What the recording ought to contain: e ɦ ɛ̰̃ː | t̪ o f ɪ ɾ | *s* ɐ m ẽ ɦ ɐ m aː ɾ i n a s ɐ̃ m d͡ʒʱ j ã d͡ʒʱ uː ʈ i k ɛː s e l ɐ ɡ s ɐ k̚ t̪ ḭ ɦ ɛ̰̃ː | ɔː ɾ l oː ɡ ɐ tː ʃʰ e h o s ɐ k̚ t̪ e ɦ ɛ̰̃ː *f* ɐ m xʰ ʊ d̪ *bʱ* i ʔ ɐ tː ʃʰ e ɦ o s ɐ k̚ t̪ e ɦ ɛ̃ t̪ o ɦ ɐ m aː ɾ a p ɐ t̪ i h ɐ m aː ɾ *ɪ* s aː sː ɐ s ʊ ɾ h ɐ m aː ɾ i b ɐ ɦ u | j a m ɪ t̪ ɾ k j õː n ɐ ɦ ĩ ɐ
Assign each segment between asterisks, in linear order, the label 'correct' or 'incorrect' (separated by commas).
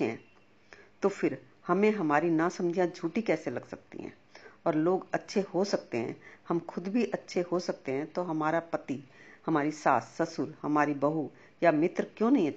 incorrect, incorrect, correct, incorrect